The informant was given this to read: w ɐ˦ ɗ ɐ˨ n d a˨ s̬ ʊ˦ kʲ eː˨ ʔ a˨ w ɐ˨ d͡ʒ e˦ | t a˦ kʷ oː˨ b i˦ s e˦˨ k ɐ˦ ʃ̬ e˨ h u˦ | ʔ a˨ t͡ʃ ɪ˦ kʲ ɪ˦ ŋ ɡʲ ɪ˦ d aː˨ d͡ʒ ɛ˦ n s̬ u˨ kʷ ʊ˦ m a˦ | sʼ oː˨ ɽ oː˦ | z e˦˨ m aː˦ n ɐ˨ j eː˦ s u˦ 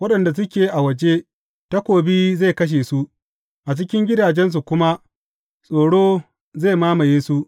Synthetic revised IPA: w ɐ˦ ɗ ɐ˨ n d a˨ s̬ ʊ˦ kʲ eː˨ ʔ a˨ w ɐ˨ d͡ʒ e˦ | t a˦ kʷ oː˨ b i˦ z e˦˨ k ɐ˦ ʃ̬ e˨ s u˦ | ʔ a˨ t͡ʃ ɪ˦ kʲ ɪ˦ ŋ ɡʲ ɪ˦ d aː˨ d͡ʒ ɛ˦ n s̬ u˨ kʷ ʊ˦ m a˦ | sʼ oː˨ ɽ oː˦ | z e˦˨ m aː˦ m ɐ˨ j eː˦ s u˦